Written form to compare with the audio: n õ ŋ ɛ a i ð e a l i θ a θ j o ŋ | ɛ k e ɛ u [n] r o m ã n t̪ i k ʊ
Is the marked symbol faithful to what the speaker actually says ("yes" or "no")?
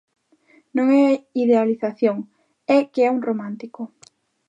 no